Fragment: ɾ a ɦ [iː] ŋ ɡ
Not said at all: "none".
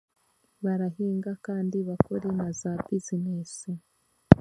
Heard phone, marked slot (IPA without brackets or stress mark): iː